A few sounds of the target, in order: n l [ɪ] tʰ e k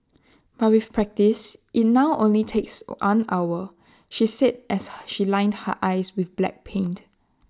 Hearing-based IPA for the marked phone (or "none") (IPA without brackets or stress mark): i